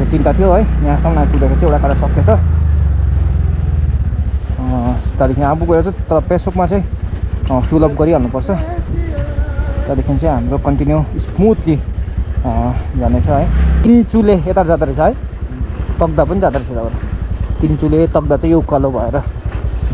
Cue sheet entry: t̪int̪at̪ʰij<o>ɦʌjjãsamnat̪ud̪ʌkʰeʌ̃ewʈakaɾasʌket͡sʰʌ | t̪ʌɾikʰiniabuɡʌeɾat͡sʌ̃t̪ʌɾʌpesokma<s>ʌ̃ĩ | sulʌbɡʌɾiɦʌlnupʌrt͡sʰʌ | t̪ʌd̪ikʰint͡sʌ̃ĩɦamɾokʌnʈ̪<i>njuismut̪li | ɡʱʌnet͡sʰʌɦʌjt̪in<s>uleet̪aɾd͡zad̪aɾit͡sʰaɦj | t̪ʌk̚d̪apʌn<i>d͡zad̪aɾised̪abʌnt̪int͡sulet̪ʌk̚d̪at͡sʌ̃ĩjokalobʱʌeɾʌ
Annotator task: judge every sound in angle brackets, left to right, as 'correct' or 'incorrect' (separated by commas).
correct, incorrect, correct, incorrect, correct